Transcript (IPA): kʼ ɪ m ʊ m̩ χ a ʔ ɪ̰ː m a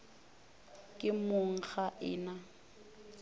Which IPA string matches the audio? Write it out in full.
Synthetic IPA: kʼ ɪ m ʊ ŋ̩ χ a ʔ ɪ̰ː n a